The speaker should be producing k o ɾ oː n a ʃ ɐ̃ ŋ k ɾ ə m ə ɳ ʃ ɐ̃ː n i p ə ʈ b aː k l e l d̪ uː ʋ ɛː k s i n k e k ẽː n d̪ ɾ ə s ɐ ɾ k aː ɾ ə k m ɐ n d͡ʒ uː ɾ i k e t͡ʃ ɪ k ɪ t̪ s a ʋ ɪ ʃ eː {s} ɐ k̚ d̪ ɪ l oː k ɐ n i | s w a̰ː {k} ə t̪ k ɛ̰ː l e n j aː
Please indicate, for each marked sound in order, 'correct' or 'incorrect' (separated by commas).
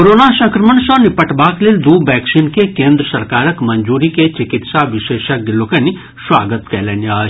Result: incorrect, incorrect